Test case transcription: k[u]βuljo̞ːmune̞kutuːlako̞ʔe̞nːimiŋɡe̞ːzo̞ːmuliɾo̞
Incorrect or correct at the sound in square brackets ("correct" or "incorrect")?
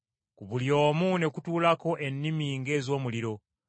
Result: correct